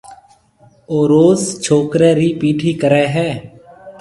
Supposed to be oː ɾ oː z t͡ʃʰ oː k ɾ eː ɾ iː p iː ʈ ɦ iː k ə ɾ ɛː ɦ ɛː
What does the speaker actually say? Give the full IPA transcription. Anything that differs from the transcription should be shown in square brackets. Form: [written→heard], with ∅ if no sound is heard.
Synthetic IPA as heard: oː ɾ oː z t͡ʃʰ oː k ɾ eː ɾ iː p iː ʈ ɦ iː k ə ɾ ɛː ɦ ɛː